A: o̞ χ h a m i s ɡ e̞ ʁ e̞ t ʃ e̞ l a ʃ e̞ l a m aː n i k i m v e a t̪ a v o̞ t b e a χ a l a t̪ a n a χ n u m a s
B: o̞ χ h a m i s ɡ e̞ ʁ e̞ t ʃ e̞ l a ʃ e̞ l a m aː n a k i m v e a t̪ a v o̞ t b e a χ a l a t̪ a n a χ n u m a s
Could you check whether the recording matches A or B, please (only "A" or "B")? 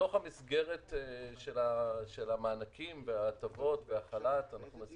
B